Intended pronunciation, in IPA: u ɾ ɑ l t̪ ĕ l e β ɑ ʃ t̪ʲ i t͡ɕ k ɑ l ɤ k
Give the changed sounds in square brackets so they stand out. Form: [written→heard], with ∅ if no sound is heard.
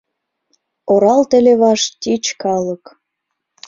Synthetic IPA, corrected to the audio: [u→o] ɾ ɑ l t̪ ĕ l e β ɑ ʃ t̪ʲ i t͡ɕ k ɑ l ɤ k